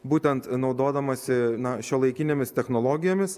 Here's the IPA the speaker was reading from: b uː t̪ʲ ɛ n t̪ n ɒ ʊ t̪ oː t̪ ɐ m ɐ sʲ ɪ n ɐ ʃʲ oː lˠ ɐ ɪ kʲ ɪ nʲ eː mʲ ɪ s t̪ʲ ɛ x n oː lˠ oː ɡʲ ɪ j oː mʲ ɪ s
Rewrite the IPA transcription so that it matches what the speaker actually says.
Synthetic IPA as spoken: b uː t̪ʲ ɛ n t̪ n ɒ ʊ d̪ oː d̪ ɐ m ɐ sʲ ɪ n ɐ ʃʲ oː lˠ ɐ ɪ kʲ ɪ nʲ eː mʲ ɪ s t̪ʲ ɛ x n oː lˠ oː ɡʲ ɪ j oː mʲ ɪ s